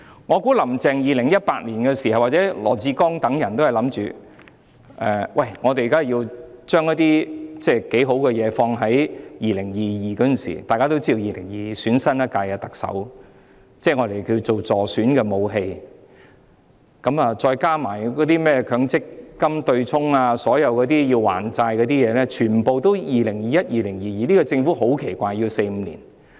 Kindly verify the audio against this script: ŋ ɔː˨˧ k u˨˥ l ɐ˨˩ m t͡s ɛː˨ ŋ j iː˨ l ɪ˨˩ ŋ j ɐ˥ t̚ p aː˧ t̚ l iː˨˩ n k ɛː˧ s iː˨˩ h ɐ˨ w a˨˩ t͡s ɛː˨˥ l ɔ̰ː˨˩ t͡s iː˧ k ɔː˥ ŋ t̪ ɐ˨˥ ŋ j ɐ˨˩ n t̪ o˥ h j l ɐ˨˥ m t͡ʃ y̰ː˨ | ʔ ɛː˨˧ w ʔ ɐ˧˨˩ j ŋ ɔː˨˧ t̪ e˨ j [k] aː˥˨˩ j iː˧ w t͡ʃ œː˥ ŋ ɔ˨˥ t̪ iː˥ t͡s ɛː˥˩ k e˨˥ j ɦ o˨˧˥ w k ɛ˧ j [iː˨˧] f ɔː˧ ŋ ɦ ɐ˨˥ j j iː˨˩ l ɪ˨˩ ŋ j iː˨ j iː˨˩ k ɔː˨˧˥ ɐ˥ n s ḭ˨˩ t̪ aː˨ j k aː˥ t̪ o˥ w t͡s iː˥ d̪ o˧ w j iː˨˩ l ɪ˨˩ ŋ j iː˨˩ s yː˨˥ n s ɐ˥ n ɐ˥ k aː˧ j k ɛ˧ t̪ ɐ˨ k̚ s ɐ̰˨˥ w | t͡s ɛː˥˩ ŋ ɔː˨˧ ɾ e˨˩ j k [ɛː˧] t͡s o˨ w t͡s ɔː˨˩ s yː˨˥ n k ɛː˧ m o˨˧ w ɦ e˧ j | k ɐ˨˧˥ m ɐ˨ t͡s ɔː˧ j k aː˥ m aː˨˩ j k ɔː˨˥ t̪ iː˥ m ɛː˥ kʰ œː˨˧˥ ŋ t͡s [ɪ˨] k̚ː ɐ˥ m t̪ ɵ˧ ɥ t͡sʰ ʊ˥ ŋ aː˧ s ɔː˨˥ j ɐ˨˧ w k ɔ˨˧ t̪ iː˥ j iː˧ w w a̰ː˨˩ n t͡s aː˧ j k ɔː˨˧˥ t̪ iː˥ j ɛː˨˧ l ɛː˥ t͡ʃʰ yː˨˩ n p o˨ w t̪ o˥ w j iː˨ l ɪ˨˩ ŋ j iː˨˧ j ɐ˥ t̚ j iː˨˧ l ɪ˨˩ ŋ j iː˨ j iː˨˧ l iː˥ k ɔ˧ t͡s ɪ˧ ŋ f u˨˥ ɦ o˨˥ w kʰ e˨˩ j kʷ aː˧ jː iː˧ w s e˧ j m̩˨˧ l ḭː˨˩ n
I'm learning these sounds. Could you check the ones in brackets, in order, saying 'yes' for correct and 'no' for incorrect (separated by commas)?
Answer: yes, no, no, no